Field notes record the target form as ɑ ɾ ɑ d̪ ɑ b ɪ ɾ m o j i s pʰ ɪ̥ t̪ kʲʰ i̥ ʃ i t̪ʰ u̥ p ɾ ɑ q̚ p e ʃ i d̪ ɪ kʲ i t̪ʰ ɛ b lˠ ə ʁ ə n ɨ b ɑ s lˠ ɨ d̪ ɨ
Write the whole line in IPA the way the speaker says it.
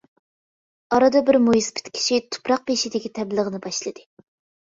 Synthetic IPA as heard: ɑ ɾ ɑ d̪ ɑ b ɪ ɾ m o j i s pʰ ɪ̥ t̪ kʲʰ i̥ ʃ i t̪ʰ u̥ p ɾ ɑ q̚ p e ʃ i d̪ ɪ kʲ i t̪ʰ ɛ b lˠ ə ʁ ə n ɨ b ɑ ʃ lˠ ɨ d̪ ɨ